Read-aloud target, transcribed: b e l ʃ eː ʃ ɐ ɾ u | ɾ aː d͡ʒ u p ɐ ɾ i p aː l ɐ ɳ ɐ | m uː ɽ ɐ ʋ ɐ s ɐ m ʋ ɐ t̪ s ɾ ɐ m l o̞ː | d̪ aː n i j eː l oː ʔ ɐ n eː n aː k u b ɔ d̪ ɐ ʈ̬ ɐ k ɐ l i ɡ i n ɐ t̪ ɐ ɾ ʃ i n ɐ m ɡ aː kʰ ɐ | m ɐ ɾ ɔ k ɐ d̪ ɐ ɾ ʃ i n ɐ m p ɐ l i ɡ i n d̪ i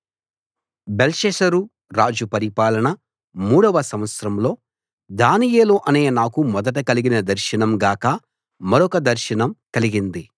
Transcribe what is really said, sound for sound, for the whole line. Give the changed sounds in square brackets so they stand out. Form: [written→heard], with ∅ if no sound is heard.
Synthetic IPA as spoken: b e l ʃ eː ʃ ɐ ɾ u | ɾ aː d͡ʒ u p ɐ ɾ i p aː l ɐ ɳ ɐ | m uː ɽ ɐ ʋ ɐ s ɐ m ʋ ɐ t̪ s ɾ ɐ m l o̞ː | d̪ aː n i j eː l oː ʔ ɐ n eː n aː k u [b→m] ɔ d̪ ɐ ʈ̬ ɐ k ɐ l i ɡ i n ɐ [t̪→d̪] ɐ ɾ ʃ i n ɐ m ɡ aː [kʰ→k] ɐ | m ɐ ɾ ɔ k ɐ d̪ ɐ ɾ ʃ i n ɐ m [p→k] ɐ l i ɡ i n d̪ i